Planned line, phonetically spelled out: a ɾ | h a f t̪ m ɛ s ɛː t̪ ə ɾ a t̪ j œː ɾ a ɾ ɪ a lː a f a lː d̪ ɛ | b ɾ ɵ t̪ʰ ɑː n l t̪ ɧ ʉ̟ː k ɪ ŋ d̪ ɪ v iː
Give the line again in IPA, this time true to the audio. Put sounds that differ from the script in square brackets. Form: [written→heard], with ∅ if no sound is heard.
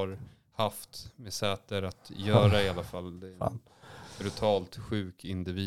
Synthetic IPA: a ɾ | h a f t̪ m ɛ s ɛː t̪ ə ɾ a t̪ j œː ɾ a [ɾ→∅] ɪ a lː a f a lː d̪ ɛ | b ɾ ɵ t̪ʰ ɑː [n→∅] l t̪ ɧ ʉ̟ː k ɪ [ŋ→n] d̪ ɪ v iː